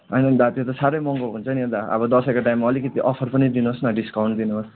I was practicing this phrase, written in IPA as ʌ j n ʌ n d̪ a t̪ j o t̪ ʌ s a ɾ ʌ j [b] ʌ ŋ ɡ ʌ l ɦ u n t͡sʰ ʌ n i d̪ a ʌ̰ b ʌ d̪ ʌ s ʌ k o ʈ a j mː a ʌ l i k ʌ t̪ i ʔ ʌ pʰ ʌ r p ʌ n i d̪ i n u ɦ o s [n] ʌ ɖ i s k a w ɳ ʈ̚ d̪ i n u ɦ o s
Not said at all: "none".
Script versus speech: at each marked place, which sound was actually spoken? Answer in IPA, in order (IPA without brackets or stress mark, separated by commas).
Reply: m, n